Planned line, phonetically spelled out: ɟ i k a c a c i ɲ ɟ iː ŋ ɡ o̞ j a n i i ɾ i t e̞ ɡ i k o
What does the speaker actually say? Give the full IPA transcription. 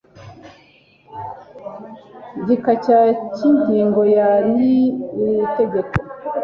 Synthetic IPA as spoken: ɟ i k a c a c i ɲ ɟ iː ŋ ɡ o̞ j a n i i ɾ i t e̞ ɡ e k o